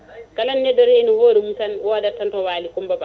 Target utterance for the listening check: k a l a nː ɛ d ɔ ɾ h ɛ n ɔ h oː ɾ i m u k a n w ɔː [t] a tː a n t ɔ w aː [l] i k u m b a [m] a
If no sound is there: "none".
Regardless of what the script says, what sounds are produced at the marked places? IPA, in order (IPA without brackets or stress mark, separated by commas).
d, l, b